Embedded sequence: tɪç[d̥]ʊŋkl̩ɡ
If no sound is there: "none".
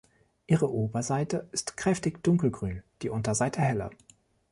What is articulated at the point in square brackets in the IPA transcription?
d̥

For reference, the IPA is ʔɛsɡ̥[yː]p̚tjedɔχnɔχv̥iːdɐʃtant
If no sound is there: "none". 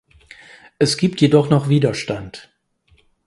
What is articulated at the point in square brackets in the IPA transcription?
iː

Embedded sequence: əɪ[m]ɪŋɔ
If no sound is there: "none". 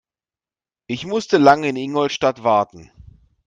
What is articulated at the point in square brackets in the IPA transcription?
n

